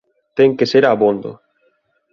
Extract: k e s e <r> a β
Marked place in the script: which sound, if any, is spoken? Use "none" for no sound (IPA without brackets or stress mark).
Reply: ɾ